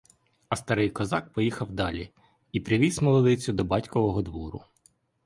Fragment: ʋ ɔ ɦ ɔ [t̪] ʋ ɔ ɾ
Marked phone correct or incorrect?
incorrect